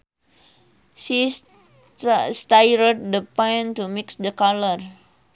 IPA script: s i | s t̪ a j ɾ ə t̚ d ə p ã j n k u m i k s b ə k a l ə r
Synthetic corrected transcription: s i | s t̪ a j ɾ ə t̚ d ə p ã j n t u m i k s d ə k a l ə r